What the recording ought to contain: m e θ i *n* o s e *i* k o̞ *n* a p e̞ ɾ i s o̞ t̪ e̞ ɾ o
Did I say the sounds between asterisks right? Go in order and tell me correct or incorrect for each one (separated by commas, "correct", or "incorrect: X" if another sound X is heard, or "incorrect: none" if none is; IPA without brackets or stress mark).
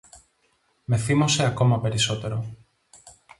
incorrect: m, incorrect: a, incorrect: m